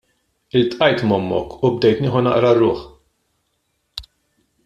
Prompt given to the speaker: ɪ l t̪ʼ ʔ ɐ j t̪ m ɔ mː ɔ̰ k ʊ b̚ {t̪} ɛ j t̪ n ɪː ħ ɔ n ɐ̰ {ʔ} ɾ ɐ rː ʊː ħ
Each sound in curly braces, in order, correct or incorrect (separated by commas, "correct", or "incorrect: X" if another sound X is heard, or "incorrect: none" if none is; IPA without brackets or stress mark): incorrect: d̪, correct